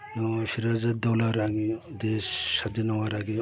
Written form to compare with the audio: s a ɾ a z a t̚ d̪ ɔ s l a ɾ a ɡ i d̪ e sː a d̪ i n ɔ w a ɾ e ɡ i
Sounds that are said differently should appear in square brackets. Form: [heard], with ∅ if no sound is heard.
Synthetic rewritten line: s [i] ɾ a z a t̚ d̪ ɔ [∅] l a ɾ a ɡ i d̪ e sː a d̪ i n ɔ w a ɾ [a] ɡ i